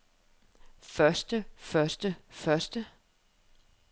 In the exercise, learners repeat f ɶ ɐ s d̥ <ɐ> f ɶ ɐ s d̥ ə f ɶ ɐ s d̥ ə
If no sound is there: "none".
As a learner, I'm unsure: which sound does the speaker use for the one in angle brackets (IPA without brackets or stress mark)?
ə